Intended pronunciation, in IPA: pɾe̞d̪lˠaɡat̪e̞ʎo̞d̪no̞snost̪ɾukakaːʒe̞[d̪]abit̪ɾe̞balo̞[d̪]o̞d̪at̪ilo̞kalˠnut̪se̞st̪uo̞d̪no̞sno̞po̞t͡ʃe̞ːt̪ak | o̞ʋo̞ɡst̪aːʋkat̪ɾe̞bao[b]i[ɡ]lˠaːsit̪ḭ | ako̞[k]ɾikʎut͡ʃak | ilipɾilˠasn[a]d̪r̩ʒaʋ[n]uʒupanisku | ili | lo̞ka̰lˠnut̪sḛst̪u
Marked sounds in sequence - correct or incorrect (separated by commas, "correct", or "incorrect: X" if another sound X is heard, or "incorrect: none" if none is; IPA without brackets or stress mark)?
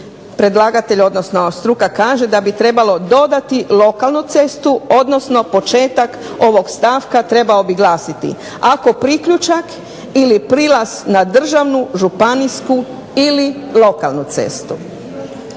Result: correct, correct, correct, correct, incorrect: p, correct, correct